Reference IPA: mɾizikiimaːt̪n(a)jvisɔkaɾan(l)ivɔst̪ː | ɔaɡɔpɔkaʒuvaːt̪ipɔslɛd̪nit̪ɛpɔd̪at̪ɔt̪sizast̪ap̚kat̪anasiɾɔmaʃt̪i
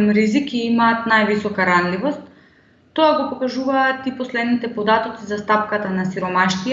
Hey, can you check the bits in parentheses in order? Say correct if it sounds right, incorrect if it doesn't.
correct, correct

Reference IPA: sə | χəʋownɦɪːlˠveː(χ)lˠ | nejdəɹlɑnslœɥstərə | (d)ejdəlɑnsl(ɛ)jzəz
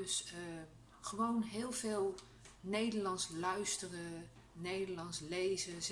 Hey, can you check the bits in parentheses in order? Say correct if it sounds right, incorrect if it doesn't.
incorrect: none, incorrect: n, incorrect: e

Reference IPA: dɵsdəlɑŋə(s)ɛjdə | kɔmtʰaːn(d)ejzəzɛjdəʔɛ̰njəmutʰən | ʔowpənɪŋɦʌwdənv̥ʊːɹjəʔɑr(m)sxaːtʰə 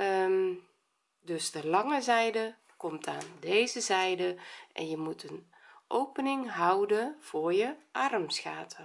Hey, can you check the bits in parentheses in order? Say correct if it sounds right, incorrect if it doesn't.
incorrect: z, correct, correct

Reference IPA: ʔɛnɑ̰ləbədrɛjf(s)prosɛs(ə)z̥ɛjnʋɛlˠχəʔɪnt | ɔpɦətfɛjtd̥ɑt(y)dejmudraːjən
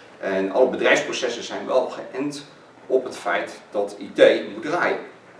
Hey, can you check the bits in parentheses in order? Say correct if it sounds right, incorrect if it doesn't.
correct, correct, incorrect: i

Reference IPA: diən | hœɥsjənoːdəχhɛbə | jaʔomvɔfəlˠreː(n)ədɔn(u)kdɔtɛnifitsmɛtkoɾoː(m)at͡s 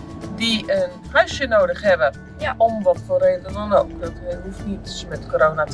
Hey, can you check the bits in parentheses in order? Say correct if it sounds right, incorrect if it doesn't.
incorrect: d, incorrect: o, incorrect: n

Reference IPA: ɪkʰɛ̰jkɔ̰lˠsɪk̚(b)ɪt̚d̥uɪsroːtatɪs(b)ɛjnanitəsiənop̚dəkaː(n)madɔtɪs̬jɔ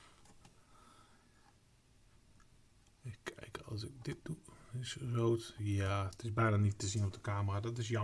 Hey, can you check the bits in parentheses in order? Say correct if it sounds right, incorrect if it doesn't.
incorrect: d, correct, incorrect: none

